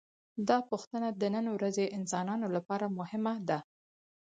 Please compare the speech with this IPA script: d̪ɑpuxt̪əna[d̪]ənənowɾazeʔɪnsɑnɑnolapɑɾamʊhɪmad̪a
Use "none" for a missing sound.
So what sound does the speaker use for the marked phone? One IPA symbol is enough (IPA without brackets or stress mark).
d̪